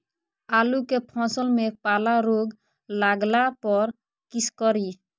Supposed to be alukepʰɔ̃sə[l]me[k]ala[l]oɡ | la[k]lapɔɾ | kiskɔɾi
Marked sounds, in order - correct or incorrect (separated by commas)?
correct, incorrect, incorrect, incorrect